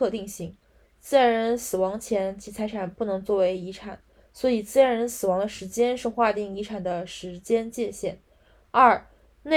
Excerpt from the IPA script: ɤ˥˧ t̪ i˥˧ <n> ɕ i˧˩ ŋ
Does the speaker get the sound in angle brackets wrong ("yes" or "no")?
yes